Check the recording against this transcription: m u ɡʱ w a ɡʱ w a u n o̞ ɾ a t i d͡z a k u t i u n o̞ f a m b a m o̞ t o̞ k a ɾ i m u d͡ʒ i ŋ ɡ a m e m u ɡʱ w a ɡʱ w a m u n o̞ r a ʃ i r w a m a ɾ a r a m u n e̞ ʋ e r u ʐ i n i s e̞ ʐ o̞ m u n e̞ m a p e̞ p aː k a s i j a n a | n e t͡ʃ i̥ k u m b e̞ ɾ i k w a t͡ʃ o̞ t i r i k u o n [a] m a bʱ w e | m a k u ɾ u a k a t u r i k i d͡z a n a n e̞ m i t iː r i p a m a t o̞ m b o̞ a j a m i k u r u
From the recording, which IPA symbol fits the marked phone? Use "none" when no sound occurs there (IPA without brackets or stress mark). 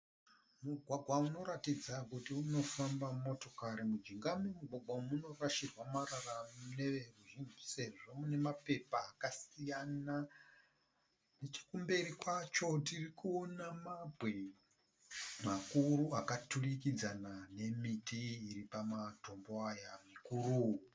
a